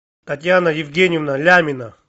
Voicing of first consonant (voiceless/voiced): voiceless